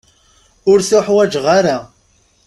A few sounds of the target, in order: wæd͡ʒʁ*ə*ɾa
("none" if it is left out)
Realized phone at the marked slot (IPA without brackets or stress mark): a